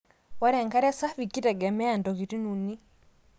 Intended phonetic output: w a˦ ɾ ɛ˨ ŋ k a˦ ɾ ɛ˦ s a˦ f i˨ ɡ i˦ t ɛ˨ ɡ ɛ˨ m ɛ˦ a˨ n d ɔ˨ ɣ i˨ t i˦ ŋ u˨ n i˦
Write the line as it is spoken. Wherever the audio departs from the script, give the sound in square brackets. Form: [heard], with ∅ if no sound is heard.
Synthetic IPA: w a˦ ɾ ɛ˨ ŋ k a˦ ɾ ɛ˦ s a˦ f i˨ [k] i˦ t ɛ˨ ɡ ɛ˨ m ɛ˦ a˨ n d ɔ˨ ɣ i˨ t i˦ [n] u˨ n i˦